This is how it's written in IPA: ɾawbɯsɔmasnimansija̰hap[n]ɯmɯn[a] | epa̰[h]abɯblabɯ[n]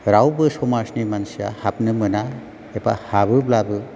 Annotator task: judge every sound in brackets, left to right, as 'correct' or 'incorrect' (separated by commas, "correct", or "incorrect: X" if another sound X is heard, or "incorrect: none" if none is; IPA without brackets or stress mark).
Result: correct, correct, correct, incorrect: none